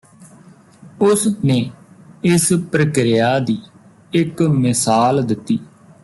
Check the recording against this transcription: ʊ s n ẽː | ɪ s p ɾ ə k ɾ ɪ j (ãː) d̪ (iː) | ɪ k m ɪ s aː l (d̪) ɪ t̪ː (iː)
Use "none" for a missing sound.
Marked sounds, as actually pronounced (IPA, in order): aː, iː, d̪, iː

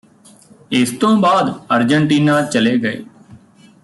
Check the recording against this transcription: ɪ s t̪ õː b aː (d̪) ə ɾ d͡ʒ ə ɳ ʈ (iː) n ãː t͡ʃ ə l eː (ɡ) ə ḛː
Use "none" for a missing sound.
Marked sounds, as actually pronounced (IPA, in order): d̪, iː, ɡ

